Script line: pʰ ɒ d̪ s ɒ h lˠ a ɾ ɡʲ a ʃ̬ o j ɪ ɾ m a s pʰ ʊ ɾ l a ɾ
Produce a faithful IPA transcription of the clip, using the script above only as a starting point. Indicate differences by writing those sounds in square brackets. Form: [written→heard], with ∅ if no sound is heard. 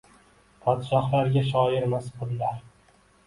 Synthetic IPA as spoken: pʰ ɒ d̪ [s→ʃ] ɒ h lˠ a ɾ ɡʲ a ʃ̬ [o→ɒ] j ɪ ɾ m a s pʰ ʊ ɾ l a ɾ